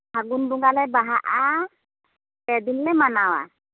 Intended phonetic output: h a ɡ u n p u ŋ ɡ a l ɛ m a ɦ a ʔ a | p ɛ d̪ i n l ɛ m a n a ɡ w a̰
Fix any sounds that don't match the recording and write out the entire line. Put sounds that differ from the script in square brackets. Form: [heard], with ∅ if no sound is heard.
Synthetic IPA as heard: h a ɡ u n [b] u ŋ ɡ a l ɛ [b] a ɦ a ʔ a | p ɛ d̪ i n l ɛ m a n a [∅] w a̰